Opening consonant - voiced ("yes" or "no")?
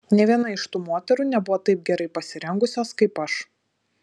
yes